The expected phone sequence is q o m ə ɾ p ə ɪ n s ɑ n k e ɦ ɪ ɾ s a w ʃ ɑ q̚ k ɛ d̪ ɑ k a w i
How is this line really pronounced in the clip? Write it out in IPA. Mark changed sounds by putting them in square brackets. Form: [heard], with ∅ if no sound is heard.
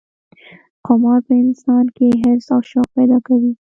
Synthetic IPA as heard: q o m [ɑ] ɾ p ə ɪ n s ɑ n k e ɦ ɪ ɾ s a w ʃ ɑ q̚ [p] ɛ d̪ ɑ k a w i